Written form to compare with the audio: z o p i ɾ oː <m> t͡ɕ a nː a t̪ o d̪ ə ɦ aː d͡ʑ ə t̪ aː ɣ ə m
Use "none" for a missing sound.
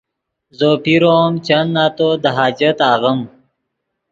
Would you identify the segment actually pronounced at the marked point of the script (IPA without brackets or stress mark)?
m